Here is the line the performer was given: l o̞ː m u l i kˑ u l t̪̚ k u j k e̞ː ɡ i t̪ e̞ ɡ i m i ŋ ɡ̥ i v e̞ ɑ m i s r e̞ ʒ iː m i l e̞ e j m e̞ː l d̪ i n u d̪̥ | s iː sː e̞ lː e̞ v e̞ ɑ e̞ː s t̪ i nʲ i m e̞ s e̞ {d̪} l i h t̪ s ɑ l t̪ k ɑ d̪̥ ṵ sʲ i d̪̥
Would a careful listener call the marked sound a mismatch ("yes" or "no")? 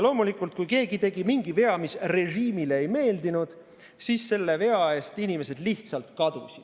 no